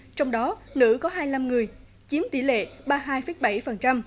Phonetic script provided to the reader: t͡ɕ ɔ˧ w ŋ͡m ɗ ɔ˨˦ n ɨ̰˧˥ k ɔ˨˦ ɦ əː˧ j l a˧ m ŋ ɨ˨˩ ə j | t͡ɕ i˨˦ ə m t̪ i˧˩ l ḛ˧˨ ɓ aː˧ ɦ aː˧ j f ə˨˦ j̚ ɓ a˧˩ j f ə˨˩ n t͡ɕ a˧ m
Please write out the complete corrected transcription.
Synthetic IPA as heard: t͡ɕ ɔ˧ w ŋ͡m ɗ ɔ˨˦ n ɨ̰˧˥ k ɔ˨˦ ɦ aː˧ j l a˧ m ŋ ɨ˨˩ ə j | t͡ɕ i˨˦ ə m t̪ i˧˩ l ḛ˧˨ ɓ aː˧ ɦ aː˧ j f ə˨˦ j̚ ɓ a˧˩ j f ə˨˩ n t͡ɕ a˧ m

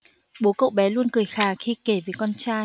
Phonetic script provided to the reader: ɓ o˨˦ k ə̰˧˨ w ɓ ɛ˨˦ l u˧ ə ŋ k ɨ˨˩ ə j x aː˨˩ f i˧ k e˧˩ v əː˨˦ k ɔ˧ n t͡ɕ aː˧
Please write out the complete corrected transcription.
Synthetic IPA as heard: ɓ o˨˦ k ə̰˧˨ w ɓ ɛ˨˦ l u˧ ə n k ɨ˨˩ ə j x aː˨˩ x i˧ k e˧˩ v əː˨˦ k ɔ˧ n t͡ɕ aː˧

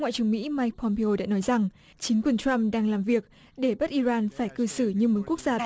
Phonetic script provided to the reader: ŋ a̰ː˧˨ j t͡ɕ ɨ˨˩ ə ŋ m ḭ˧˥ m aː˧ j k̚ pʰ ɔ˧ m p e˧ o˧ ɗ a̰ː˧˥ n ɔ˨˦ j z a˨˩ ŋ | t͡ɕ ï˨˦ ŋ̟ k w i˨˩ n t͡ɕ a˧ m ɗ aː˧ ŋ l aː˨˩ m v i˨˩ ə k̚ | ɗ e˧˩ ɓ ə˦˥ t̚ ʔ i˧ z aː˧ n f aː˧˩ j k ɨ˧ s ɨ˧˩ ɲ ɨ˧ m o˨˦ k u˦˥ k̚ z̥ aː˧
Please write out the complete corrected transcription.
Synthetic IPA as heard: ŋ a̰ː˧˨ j t͡ɕ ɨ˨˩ ə ŋ m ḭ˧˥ m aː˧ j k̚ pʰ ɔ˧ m p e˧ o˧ ɗ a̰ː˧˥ n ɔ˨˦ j z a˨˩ ŋ | t͡ɕ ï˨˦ ŋ̟ k w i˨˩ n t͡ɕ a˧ m ɗ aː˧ ŋ l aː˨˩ m v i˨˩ ə k̚ | ɗ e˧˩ ɓ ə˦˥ t̚ ʔ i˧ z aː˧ n f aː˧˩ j k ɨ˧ s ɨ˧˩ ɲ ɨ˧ m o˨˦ k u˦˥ k̚ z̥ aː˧

